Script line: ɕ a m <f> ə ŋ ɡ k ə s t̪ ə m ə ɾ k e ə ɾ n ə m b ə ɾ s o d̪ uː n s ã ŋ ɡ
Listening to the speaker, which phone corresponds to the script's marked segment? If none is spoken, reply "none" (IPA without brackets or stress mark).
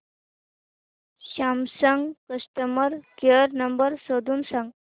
s